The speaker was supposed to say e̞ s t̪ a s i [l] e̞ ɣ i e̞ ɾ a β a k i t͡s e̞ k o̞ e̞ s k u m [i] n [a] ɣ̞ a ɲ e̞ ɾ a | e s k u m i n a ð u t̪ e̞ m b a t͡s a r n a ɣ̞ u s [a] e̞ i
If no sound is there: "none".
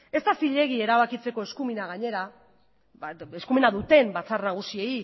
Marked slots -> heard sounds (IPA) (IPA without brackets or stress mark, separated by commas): ʎ, i, a, i